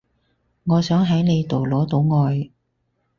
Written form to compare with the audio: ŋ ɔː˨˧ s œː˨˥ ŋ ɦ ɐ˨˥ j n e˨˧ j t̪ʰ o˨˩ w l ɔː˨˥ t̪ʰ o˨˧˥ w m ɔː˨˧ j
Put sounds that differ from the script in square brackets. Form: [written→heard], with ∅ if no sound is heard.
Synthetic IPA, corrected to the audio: ŋ ɔː˨˧ s œː˨˥ ŋ ɦ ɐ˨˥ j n e˨˧ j [t̪ʰ→t̪] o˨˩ w l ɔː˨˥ [t̪ʰ→t̪] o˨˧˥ w [m→ŋ] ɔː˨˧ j